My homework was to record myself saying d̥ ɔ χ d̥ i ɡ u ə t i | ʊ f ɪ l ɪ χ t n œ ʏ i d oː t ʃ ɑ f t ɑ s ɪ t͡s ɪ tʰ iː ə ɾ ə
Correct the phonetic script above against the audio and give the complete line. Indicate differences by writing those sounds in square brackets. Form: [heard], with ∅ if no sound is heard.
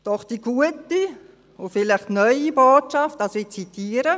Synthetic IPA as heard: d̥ ɔ χ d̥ i ɡ u ə t i | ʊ f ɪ l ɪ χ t n œ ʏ i [b] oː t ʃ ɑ f t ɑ s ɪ t͡s [i] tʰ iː ə ɾ ə

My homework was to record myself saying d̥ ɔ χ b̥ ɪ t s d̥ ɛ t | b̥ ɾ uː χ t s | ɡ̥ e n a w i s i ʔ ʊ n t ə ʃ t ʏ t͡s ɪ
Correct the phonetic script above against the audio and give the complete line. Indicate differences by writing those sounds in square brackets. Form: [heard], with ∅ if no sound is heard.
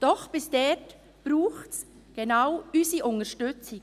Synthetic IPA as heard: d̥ ɔ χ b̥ ɪ [∅] s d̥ ɛ t | b̥ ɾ uː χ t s | ɡ̥ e n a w [y] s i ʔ ʊ n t ə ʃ t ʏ t͡s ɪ

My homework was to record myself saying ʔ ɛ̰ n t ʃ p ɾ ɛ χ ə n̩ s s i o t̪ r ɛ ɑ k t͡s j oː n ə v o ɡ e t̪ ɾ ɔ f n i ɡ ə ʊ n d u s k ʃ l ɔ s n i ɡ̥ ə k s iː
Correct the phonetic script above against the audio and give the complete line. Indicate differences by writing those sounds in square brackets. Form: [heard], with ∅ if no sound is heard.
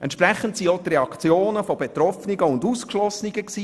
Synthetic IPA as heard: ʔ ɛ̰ n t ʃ p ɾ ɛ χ ə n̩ [t] s i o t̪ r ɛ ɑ k t͡s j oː n ə [f] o [b] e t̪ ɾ ɔ f n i ɡ ə ʊ n d u s k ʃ l ɔ s n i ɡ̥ ə k s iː

